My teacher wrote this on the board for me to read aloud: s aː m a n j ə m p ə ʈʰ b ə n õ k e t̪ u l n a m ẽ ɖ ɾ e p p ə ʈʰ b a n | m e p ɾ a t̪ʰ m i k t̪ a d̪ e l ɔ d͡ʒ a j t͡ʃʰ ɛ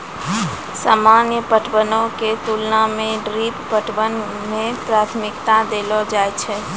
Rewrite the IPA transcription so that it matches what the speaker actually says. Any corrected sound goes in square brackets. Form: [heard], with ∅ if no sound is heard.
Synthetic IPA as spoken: s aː m a n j ə [∅] p ə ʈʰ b ə n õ k e t̪ u l n a m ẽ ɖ ɾ [i] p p ə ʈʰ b [ə] n | m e p ɾ a t̪ʰ m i k t̪ a d̪ e l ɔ d͡ʒ a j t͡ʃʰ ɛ